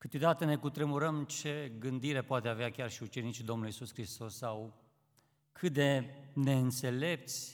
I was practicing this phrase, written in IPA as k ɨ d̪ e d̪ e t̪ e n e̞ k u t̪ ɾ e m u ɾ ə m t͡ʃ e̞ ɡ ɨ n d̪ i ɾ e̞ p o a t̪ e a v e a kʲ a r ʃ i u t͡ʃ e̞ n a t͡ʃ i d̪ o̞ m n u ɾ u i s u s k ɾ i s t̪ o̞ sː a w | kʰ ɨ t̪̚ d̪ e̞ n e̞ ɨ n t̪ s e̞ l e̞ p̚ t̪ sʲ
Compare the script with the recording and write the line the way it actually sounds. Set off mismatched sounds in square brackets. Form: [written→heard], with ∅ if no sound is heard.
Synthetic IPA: k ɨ [d̪→t̪] e d̪ [e→a] t̪ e n e̞ k u t̪ ɾ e m u ɾ ə m t͡ʃ e̞ ɡ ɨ n d̪ i ɾ e̞ p o a t̪ e a v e a kʲ a r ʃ i u t͡ʃ e̞ n [a→i] t͡ʃ i d̪ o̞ m n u [ɾ→l] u i s u s k ɾ i s t̪ o̞ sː a w | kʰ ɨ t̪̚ d̪ e̞ n e̞ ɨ n t̪ s e̞ l e̞ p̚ t̪ sʲ